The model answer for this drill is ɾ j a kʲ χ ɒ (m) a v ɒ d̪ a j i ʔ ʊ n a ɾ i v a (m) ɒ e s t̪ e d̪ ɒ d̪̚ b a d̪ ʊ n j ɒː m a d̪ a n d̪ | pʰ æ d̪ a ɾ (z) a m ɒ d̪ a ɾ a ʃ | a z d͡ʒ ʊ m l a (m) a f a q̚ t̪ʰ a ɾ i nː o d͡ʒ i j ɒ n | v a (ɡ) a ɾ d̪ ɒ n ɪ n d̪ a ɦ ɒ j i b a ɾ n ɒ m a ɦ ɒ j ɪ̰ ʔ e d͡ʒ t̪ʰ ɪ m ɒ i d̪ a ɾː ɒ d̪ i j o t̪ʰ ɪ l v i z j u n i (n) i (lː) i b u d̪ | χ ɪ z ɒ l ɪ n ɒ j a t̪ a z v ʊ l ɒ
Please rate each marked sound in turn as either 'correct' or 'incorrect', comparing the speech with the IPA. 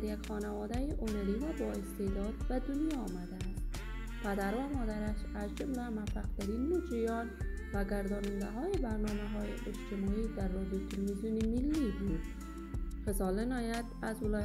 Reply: incorrect: n, incorrect: b, incorrect: v, correct, correct, incorrect: m, correct

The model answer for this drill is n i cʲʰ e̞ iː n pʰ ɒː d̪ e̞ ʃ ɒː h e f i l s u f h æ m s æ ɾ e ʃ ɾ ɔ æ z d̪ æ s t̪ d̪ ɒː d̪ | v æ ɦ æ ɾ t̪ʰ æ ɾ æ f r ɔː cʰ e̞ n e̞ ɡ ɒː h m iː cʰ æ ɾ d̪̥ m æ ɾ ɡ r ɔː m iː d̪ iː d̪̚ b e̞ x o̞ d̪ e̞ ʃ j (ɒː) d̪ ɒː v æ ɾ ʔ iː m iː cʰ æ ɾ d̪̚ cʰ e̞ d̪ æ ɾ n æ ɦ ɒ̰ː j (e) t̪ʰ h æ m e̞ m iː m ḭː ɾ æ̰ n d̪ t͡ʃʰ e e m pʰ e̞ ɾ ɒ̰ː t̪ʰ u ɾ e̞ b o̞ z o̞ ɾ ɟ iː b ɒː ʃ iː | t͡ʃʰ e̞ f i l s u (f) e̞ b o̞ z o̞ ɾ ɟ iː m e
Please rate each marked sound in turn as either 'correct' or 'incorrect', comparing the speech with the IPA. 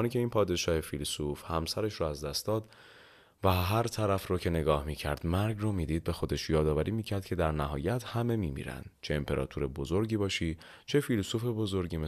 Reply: correct, incorrect: æ, correct

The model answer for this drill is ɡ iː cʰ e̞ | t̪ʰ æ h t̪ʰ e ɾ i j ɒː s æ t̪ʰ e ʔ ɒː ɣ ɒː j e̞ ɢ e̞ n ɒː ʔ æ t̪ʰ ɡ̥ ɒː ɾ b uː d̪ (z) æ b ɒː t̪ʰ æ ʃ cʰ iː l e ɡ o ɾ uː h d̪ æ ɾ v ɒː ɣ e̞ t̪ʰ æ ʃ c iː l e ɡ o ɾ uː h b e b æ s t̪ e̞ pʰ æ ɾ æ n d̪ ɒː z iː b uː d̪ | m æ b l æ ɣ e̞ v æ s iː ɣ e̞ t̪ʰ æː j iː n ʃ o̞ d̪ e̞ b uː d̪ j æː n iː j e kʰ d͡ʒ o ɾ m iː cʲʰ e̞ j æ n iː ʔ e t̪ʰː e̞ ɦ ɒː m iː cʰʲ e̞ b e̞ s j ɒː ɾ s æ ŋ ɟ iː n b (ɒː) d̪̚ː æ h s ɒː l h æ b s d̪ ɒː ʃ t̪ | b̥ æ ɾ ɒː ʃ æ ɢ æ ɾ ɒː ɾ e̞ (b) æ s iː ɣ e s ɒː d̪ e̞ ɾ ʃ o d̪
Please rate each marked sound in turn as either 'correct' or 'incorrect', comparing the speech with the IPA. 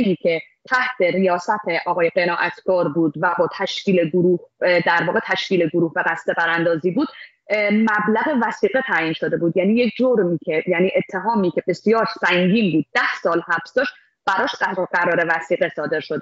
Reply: incorrect: v, incorrect: uː, incorrect: v

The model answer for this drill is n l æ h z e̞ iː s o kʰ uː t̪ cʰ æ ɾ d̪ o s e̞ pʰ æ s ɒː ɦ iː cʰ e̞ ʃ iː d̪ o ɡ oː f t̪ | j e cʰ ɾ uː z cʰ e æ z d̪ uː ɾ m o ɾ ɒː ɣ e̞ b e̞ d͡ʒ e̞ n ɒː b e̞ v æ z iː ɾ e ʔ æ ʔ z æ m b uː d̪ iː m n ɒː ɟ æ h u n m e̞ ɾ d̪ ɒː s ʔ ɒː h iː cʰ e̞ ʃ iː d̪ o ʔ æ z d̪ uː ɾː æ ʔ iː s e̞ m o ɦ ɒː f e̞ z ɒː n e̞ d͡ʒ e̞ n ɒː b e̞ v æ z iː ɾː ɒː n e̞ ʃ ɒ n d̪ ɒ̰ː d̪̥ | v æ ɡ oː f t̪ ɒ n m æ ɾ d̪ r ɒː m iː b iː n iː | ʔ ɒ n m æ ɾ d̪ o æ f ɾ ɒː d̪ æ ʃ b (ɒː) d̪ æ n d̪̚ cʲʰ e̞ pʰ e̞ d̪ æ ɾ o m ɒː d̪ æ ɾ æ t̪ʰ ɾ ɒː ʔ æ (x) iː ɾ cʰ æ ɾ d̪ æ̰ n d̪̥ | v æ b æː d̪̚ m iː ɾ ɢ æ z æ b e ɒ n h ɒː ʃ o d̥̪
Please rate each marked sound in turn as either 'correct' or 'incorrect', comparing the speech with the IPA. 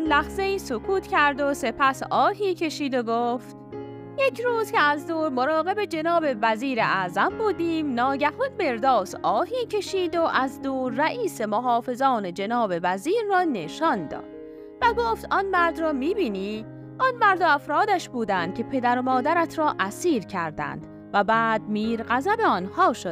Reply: incorrect: uː, incorrect: s

